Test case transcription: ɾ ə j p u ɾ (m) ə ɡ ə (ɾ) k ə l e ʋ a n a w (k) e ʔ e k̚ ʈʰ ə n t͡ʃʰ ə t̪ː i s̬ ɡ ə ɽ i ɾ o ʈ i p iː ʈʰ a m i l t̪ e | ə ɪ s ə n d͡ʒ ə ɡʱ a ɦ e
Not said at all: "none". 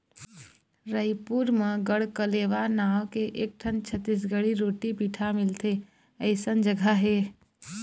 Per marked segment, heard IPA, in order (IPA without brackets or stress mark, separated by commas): m, ɽ, k